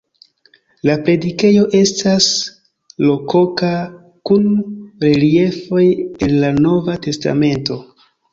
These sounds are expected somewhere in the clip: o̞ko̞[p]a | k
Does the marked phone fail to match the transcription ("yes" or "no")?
yes